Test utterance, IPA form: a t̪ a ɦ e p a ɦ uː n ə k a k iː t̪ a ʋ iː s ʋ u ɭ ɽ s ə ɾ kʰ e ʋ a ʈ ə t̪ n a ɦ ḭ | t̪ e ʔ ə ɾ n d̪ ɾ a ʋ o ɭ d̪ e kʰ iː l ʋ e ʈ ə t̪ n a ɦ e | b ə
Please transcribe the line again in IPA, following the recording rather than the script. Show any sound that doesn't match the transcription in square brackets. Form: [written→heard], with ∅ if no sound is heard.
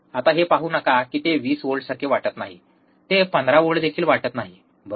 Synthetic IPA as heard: a t̪ a ɦ e p a ɦ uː n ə k a k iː t̪ [a→e] ʋ iː s ʋ [u→o] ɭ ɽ s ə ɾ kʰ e ʋ a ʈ ə t̪ n a ɦ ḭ | t̪ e [ʔ→p] ə [ɾ→∅] n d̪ ɾ a ʋ o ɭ d̪ e kʰ iː l ʋ [e→a] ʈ ə t̪ n a ɦ [e→i] | b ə